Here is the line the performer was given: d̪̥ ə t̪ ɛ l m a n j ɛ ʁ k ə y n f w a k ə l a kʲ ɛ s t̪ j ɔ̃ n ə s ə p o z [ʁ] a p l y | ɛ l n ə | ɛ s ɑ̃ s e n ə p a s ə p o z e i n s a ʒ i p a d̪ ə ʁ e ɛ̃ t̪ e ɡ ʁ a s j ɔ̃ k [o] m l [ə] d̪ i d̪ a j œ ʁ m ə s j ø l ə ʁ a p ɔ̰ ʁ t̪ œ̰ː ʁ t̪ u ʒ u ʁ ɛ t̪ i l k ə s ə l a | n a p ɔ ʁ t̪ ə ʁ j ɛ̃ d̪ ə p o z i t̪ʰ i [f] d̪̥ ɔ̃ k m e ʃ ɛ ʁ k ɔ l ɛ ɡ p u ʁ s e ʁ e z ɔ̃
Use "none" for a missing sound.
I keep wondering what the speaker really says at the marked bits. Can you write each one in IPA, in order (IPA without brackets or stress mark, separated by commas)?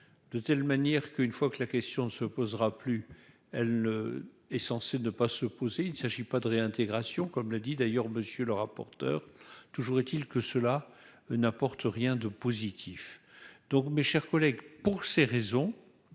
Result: ʁ, ɔ, a, f